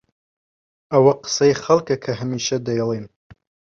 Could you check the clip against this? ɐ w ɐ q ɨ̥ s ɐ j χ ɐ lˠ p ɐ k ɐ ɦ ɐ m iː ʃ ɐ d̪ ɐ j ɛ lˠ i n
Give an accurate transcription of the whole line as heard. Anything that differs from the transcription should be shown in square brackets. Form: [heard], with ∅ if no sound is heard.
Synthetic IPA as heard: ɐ w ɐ q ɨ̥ s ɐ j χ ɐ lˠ [k] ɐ [kʰ] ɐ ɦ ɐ m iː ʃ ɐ d̪ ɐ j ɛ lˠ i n